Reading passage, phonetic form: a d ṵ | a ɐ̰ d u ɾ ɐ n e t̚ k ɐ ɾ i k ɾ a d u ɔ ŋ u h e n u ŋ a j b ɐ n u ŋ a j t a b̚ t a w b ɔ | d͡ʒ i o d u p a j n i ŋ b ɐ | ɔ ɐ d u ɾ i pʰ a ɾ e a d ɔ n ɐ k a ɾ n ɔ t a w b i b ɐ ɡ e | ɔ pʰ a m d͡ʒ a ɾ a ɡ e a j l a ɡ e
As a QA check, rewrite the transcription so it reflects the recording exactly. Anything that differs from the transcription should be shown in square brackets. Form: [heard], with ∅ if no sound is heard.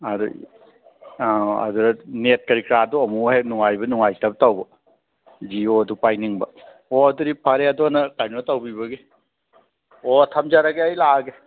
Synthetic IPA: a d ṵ | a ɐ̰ d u ɾ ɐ n e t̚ k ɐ ɾ i k ɾ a d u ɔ [m] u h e n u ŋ a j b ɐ n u ŋ a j t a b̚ t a w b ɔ | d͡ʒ i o d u p a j n i ŋ b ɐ | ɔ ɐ d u ɾ i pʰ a ɾ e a d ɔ n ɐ k a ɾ n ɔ t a w b i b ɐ ɡ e | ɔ [tʰ] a m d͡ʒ a ɾ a ɡ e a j l a ɡ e